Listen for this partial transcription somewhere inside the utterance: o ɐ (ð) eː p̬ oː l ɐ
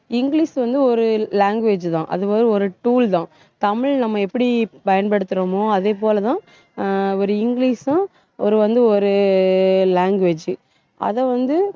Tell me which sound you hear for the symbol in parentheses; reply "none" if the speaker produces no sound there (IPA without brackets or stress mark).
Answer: ð